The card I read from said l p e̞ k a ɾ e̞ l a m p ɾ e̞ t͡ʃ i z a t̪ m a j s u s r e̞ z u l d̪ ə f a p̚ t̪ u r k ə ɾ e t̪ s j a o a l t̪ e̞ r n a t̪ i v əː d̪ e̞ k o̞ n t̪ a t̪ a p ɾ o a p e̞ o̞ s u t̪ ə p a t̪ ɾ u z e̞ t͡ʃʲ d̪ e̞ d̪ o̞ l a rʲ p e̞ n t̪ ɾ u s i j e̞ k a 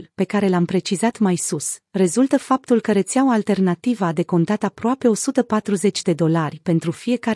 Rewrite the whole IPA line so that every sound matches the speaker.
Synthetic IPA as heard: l p e̞ k a ɾ e̞ l a m p ɾ e̞ t͡ʃ i z a t̪ m a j s u s r e̞ z u l t̪ ə f a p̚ t̪ u l k ə ɾ e t̪ s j a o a l t̪ e̞ r n a t̪ i v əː d̪ e̞ k o̞ n t̪ a t̪ a p ɾ o a p e̞ o̞ s u t̪ ə p a t̪ ɾ u z e̞ t͡ʃʲ d̪ e̞ d̪ o̞ l a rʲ p e̞ n t̪ ɾ u f i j e̞ k a